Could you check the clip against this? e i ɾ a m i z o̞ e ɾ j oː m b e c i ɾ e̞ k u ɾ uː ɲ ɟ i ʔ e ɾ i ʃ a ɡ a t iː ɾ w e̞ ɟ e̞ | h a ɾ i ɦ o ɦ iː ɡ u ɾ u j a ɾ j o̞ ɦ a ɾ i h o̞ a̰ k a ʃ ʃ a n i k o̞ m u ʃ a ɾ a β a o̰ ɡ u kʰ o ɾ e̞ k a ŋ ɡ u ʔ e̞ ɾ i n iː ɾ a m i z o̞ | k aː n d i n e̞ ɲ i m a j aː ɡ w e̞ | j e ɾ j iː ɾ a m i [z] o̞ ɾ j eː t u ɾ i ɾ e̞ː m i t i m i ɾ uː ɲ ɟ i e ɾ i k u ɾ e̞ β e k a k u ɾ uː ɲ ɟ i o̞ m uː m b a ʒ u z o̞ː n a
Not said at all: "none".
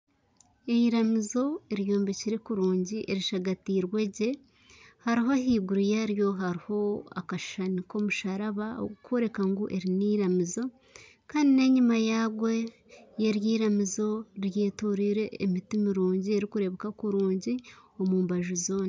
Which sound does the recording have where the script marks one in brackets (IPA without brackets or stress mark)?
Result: z